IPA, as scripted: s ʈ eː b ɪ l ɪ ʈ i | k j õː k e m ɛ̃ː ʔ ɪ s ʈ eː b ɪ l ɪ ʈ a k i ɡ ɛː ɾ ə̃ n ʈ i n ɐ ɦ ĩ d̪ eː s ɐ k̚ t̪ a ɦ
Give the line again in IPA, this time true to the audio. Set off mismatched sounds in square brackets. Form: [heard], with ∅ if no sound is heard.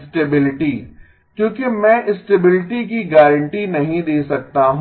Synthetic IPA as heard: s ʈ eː b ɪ l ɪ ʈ i | k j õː k e m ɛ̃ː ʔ ɪ s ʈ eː b ɪ l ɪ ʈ [i] k i ɡ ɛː ɾ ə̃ [ɳ] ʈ i n ɐ ɦ ĩ d̪ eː s ɐ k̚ t̪ a ɦ